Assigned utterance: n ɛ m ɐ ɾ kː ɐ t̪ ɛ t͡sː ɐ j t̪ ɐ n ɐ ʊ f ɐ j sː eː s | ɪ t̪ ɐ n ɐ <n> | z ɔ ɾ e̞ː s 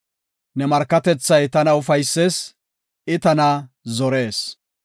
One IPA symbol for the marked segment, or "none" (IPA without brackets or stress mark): none